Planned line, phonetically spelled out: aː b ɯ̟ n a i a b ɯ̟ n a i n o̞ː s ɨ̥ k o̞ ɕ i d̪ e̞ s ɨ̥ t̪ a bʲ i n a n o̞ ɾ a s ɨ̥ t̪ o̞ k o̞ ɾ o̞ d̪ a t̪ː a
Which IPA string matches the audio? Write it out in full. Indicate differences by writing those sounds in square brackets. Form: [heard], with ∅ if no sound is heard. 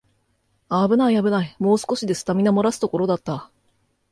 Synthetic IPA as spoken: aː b ɯ̟ n a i a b ɯ̟ n a i [m] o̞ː s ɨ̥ k o̞ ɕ i d̪ e̞ s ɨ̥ t̪ a [mʲ] i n a [m] o̞ ɾ a s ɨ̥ t̪ o̞ k o̞ ɾ o̞ d̪ a t̪ː a